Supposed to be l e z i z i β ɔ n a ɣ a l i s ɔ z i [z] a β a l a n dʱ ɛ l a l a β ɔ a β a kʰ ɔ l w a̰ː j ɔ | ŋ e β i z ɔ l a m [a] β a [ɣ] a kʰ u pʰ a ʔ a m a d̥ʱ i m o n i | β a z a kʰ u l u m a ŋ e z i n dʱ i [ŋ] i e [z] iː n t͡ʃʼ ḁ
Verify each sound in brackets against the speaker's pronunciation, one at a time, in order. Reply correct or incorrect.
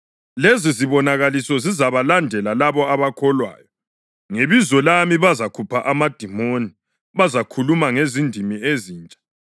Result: correct, incorrect, incorrect, incorrect, correct

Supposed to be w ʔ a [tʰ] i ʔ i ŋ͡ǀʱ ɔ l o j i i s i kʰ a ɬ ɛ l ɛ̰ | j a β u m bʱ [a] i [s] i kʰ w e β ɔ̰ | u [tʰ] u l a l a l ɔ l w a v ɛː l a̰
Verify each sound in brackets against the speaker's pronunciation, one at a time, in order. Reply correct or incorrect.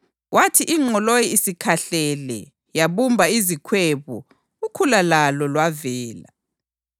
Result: correct, correct, incorrect, incorrect

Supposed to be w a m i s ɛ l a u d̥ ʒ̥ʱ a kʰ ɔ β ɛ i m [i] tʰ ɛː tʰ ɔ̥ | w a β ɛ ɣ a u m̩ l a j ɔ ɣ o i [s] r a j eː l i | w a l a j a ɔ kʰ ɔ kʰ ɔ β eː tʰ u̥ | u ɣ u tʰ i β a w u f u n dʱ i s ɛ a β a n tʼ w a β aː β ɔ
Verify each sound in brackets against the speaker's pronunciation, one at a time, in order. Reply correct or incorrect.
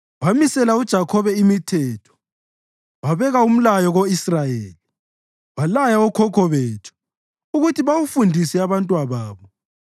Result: correct, correct

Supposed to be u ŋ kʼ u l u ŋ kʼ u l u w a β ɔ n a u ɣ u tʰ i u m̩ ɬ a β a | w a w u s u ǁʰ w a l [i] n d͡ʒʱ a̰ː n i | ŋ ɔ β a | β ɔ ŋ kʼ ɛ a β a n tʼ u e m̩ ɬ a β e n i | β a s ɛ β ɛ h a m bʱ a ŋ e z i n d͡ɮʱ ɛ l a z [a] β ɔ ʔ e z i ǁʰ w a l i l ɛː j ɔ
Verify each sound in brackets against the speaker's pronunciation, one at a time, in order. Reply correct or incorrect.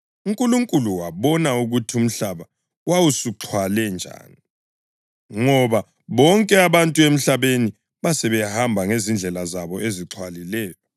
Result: incorrect, correct

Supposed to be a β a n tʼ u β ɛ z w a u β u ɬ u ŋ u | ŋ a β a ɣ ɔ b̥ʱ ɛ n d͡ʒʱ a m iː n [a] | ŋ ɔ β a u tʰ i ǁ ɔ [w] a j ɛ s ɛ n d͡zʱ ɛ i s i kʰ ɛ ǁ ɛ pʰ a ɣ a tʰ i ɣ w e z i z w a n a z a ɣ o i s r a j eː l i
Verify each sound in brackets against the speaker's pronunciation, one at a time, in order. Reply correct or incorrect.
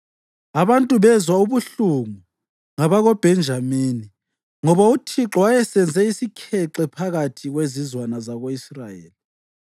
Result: incorrect, correct

